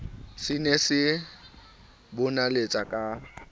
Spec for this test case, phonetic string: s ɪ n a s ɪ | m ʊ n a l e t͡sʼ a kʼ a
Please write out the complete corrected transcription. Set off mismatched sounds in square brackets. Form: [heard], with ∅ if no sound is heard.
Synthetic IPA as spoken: s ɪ n [e] s ɪ | [b] ʊ n a l e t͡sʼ a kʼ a

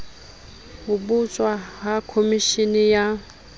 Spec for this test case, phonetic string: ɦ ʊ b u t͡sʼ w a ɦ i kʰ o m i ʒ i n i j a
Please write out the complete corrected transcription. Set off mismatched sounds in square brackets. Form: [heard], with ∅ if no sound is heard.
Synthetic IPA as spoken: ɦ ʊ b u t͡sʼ w a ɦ [a] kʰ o m i [ʃ] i n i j a

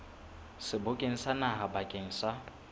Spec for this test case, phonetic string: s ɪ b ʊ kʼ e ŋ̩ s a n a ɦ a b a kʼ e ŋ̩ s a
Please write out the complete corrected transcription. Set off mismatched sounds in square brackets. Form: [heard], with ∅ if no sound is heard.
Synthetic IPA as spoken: s ɪ b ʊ kʼ e ŋ̩ s a n a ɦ a b a kʼ e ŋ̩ s a

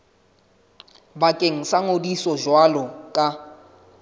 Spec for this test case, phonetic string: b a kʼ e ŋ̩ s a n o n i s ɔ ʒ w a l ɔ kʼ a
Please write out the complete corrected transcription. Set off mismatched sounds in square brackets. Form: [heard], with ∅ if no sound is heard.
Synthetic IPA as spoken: b a kʼ e ŋ̩ s a [ŋ] o [d] i s ɔ ʒ w a l ɔ kʼ a

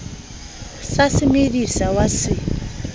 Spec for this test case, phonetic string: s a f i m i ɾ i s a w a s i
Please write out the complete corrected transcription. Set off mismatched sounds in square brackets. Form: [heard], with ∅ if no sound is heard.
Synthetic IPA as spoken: s a [s] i m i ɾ i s a w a s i

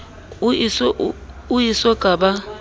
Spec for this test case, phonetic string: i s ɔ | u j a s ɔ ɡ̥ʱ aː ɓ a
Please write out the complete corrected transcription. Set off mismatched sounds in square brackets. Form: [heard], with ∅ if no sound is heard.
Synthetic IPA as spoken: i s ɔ | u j [i] s ɔ ɡ̥ʱ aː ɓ a

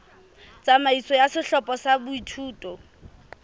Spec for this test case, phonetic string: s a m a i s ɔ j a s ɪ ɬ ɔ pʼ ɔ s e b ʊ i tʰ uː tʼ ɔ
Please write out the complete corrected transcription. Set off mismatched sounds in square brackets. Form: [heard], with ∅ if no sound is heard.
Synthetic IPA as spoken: [t͡s] a m a i s ɔ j a s ɪ ɬ ɔ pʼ ɔ s [a] b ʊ i tʰ uː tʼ ɔ

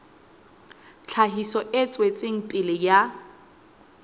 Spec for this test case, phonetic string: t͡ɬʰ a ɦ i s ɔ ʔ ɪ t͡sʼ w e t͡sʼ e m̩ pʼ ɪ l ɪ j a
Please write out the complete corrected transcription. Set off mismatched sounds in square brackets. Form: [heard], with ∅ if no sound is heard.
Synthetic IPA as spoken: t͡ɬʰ a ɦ i s ɔ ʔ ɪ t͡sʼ w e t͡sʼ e [ŋ̩] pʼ ɪ l ɪ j a

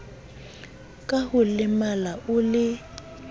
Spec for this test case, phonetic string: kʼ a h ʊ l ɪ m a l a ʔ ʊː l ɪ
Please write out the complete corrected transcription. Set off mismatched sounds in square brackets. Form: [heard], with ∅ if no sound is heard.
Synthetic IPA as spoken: kʼ a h ʊ l ɪ m a l a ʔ [ʊ] l ɪ

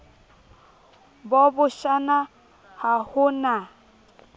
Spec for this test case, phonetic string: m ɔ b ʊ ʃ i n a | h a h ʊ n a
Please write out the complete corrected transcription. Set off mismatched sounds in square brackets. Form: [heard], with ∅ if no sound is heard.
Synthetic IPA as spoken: [b] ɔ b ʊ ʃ [a] n a | h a h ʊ n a

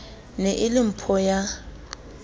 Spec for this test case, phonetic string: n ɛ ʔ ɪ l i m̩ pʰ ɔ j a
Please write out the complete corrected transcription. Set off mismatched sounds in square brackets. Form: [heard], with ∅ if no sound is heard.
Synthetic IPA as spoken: n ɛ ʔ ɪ l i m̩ pʰ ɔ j a

